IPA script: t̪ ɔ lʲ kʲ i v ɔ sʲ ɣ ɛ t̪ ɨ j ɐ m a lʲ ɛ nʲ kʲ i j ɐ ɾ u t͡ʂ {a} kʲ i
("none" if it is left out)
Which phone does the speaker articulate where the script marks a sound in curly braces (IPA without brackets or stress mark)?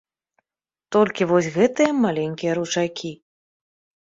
a